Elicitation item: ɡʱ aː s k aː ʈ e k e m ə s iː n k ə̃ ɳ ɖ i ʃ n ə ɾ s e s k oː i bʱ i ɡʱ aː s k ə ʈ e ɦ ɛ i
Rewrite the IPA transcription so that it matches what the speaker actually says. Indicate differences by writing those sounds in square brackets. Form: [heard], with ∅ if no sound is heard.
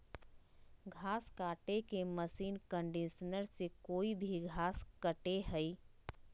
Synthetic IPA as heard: ɡʱ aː s k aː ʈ e k e m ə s iː n k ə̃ ɳ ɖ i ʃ n ə ɾ s e [∅] k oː i bʱ i ɡʱ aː s k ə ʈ e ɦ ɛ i